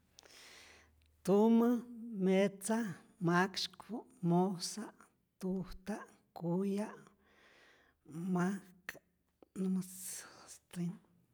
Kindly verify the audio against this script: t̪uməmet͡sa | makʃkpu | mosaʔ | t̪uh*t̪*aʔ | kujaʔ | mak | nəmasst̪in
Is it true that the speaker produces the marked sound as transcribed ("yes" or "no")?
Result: yes